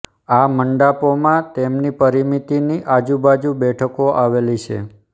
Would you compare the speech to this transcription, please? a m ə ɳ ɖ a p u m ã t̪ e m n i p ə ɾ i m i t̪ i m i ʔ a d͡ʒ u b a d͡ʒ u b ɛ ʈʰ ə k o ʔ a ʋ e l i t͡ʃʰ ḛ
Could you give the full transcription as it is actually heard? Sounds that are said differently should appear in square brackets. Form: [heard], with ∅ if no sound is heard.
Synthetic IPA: a m ə ɳ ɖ a p [o] m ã t̪ e m n i p ə ɾ i m i t̪ i [n] i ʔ a d͡ʒ u b a d͡ʒ u b ɛ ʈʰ ə k o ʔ a ʋ e l i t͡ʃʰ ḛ